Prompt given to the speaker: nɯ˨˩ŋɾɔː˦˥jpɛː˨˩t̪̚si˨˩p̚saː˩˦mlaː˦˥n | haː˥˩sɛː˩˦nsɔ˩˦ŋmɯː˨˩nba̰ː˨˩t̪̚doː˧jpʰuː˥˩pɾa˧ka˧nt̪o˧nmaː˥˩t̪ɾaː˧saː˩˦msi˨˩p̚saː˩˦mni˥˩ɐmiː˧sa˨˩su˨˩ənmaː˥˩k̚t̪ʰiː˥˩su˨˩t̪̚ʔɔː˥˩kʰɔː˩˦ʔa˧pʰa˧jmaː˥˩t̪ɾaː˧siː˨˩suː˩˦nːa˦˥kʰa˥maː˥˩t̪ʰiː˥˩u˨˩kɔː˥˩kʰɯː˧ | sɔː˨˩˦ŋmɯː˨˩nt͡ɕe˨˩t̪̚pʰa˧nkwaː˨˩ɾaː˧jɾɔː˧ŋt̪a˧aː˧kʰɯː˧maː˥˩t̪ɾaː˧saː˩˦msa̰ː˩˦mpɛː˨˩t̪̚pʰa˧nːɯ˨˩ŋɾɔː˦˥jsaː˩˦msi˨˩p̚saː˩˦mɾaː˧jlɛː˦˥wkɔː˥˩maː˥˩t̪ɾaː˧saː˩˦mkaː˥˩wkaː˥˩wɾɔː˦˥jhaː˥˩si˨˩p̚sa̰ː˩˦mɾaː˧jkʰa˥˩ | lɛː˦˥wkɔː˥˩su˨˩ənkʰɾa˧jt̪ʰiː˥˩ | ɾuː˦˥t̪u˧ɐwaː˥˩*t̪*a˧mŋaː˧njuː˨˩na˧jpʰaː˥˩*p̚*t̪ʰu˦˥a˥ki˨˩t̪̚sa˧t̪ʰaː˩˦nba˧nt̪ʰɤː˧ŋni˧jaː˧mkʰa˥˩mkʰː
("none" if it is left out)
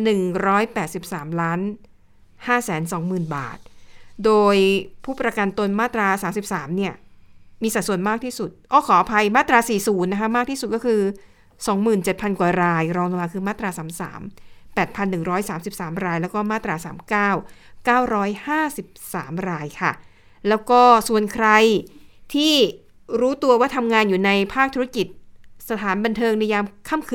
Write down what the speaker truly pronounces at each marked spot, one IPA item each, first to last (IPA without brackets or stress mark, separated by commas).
t̪ʰ, k̚